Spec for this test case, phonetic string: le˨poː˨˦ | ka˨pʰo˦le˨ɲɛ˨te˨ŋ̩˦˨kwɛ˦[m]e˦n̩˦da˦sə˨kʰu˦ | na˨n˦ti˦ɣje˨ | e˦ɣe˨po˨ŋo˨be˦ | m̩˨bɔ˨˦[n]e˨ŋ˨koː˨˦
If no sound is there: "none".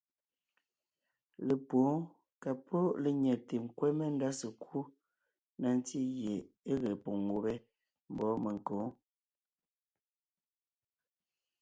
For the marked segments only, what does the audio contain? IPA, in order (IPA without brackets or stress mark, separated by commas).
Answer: m, m